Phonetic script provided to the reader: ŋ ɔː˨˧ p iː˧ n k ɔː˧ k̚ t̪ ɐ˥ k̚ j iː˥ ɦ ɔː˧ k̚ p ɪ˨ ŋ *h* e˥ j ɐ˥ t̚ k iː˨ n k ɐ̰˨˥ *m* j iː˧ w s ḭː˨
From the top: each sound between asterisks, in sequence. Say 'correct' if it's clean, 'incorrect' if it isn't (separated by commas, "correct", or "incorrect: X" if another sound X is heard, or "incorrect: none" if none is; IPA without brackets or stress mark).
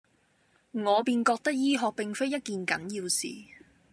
incorrect: f, incorrect: n